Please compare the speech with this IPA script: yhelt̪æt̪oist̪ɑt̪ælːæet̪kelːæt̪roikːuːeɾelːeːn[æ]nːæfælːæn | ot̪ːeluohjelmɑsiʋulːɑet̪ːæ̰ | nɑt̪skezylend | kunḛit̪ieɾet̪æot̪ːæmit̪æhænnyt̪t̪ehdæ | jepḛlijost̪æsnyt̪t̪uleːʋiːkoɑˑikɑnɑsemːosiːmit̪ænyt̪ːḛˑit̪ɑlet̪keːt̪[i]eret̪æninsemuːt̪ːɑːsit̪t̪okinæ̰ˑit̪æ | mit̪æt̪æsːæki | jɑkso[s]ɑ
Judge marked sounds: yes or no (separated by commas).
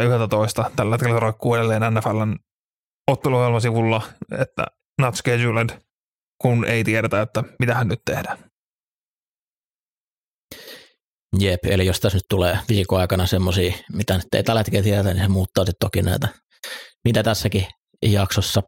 yes, yes, no